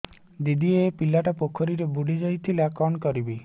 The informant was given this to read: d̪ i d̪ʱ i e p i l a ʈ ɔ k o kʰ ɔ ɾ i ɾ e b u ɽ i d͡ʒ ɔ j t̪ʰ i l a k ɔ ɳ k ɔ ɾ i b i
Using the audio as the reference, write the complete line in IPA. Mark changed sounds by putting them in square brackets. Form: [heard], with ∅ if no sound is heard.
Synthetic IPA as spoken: d̪ i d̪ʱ i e p i l a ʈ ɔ [p] o kʰ ɔ ɾ i ɾ e b u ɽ i d͡ʒ ɔ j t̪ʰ i l a k ɔ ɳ k ɔ ɾ i b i

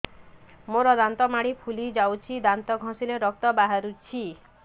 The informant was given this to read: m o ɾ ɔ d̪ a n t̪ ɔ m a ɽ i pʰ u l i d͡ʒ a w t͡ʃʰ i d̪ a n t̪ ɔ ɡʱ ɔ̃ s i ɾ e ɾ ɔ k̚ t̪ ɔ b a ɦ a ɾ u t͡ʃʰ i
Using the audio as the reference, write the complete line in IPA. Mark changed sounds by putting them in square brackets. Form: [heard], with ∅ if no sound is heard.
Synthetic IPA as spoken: m o ɾ ɔ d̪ a n t̪ ɔ m a ɽ i pʰ u l i d͡ʒ a w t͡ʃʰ i d̪ a n t̪ ɔ ɡʱ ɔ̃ s i [l] e ɾ ɔ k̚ t̪ ɔ b a ɦ a ɾ u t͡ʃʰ i

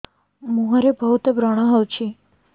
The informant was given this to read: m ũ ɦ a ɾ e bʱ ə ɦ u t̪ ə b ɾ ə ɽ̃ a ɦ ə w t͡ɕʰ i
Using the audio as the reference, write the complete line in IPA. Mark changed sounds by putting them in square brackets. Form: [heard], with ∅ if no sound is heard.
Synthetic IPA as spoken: m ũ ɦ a ɾ e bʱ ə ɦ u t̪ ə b ɾ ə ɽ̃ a ɦ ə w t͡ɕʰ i

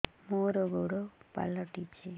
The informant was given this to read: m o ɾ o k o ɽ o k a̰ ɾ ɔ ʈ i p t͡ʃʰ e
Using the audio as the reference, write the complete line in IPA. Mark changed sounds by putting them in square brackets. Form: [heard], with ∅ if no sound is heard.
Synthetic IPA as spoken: m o ɾ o [ɡ] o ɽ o [p] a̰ [l] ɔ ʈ i p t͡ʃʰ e

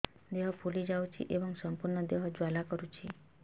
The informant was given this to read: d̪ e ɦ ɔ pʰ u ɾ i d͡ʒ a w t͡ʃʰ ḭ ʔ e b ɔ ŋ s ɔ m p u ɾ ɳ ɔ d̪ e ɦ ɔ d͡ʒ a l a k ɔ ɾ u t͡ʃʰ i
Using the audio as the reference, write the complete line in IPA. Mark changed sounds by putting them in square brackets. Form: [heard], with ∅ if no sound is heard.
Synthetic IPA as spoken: d̪ e ɦ ɔ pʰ u [l] i d͡ʒ a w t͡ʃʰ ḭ ʔ e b ɔ ŋ s ɔ m p u ɾ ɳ ɔ d̪ e ɦ ɔ d͡ʒ a l a k ɔ ɾ u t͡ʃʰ i

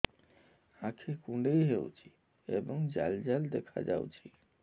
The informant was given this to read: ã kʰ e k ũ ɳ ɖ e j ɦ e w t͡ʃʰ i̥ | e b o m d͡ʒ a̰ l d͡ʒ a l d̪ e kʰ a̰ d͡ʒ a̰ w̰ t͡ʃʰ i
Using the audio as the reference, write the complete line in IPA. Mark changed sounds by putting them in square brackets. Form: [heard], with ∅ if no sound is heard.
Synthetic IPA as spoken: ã kʰ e k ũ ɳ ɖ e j ɦ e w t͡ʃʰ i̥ | e b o [ŋ] d͡ʒ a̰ l d͡ʒ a l d̪ e kʰ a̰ d͡ʒ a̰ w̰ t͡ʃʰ i

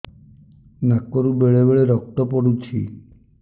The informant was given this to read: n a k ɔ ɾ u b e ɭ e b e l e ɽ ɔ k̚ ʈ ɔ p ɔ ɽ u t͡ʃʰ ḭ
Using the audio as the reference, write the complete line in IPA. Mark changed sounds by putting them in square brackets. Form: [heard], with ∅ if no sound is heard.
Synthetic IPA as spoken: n a k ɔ ɾ u b e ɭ e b e [ɭ] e [ɾ] ɔ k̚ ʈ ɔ p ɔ ɽ u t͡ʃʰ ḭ

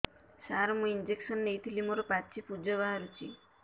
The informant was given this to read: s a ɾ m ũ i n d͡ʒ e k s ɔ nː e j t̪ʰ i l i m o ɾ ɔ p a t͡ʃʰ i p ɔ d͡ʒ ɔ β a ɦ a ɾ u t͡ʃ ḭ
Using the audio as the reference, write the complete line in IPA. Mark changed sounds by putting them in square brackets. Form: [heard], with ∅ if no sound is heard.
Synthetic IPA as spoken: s a ɾ m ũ i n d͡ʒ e k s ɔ nː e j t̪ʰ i l i m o ɾ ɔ p a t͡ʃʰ i p [u] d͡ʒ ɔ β a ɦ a ɾ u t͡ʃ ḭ

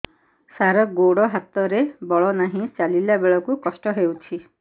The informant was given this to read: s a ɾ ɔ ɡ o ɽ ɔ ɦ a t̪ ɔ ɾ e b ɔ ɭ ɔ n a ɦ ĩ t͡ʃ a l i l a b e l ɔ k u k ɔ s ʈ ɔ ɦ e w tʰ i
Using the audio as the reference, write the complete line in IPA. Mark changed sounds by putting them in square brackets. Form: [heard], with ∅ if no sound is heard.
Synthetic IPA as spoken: s a ɾ ɔ ɡ o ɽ ɔ ɦ a t̪ ɔ ɾ e b ɔ ɭ ɔ n a ɦ ĩ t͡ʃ a l i l a b e [ɭ] ɔ k u k ɔ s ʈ ɔ ɦ e w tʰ i

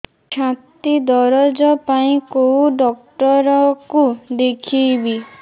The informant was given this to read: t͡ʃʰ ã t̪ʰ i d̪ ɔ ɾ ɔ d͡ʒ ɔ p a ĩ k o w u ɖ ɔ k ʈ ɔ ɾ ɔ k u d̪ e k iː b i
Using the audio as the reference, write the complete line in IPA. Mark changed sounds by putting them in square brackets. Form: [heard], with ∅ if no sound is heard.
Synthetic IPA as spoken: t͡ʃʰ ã [t̪] i d̪ ɔ ɾ ɔ d͡ʒ ɔ p a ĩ k o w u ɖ ɔ k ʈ ɔ ɾ ɔ k u d̪ e [kʰ] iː b i

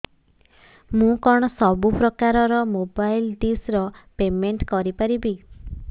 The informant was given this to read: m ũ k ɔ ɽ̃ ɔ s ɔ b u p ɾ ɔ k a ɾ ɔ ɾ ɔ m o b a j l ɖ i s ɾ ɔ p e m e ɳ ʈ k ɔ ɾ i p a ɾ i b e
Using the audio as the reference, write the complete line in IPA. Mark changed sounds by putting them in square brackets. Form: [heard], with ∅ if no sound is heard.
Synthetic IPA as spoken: m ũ k ɔ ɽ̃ ɔ s ɔ b u p ɾ ɔ k a ɾ ɔ ɾ ɔ m o b a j l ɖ i s ɾ ɔ p e m e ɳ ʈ k ɔ ɾ i p a ɾ i b [i]

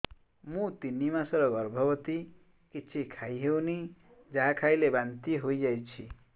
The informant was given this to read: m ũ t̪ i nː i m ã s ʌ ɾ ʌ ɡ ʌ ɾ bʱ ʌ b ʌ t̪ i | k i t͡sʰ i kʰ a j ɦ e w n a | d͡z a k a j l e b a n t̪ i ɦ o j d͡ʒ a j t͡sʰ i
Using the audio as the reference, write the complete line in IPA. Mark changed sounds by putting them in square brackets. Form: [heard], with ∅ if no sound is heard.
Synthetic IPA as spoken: m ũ t̪ i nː i m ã s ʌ ɾ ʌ ɡ ʌ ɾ bʱ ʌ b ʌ t̪ i | k i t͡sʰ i kʰ a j ɦ e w n [i] | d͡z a [kʰ] a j l e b a n t̪ i ɦ o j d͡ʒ a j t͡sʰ i

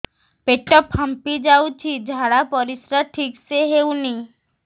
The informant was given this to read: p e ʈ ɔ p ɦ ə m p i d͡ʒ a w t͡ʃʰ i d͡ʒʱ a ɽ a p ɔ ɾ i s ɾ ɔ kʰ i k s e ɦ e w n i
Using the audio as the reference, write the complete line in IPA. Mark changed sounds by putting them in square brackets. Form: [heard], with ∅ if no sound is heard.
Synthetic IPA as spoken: p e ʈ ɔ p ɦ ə m p i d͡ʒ a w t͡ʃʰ i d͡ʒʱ a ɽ a p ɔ ɾ i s ɾ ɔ [ʈʰ] i k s e ɦ e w n i

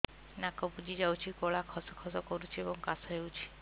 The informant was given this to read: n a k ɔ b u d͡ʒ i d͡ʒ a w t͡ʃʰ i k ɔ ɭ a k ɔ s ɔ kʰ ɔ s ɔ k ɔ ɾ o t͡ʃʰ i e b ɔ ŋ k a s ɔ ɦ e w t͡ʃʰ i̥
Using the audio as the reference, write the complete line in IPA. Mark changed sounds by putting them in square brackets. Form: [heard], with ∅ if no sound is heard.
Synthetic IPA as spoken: n a k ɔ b u d͡ʒ i d͡ʒ a w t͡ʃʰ i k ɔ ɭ a [kʰ] ɔ s ɔ kʰ ɔ s ɔ k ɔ ɾ [u] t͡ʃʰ i e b ɔ ŋ k a s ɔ ɦ e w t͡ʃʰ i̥

